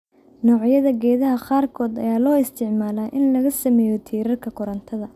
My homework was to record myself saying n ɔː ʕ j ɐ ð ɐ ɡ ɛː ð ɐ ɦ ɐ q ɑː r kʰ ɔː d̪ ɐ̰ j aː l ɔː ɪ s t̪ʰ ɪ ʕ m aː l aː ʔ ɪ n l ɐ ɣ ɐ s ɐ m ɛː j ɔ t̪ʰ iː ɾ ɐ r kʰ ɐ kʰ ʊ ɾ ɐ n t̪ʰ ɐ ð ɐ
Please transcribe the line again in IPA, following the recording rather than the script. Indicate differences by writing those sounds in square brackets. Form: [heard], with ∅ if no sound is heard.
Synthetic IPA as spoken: n ɔː ʕ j ɐ ð ɐ ɡ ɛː ð ɐ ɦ ɐ q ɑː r kʰ ɔː d̪ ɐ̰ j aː l ɔː ɪ s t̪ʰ ɪ ʕ m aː l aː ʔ ɪ n l ɐ ɣ ɐ s ɐ m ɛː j ɔ t̪ʰ iː ɾ ɐ r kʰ ɐ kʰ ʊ ɾ ɐ n t̪ʰ ɐ ð ɐ